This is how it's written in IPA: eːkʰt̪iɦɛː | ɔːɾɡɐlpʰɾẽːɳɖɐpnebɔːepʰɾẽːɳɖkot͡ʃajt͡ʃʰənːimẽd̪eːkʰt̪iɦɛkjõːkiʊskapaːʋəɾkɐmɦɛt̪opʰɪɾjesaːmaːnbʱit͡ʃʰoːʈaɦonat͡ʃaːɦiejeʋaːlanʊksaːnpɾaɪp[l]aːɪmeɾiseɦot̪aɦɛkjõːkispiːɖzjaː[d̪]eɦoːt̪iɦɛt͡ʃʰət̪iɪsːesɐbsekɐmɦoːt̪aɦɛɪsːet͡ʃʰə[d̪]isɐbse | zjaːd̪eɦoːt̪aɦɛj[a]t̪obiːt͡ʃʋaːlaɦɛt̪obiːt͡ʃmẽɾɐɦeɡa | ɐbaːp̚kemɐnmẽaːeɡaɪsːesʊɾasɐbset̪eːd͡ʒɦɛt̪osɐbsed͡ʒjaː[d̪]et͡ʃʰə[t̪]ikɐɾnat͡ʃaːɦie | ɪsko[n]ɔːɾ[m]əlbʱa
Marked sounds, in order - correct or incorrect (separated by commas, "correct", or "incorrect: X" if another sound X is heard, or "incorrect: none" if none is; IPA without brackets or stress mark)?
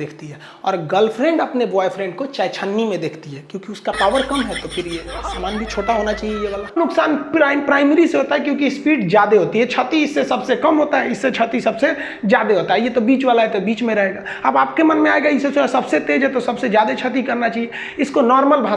incorrect: ɾ, correct, incorrect: t̪, incorrect: e, correct, correct, correct, correct